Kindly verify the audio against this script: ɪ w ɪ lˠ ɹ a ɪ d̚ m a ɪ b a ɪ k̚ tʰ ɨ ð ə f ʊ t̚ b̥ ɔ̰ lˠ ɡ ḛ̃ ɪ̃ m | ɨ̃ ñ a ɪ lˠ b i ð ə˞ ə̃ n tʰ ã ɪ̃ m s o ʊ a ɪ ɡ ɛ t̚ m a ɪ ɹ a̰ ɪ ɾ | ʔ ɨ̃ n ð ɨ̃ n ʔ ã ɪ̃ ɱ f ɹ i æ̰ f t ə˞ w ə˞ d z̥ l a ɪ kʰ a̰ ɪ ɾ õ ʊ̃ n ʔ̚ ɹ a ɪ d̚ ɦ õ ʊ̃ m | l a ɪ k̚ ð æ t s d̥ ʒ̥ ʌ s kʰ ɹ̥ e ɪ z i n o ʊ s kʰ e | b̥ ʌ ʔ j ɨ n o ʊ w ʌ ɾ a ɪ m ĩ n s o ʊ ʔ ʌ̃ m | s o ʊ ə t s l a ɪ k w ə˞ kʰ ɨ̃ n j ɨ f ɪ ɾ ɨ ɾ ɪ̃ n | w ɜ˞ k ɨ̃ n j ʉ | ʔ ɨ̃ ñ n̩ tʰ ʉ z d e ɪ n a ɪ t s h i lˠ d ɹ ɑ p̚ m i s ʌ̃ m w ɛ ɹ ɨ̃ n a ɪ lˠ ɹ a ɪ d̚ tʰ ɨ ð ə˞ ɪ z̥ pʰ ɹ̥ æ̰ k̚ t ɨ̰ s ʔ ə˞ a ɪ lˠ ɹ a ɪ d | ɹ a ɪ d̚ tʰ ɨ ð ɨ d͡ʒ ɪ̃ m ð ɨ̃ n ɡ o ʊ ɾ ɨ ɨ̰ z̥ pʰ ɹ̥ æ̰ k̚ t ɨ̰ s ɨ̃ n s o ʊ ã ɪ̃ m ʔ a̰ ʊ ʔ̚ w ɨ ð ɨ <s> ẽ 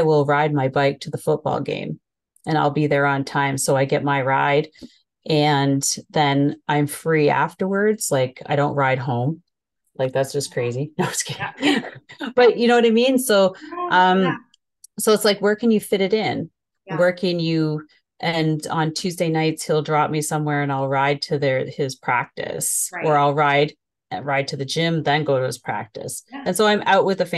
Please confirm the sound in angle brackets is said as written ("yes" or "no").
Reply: no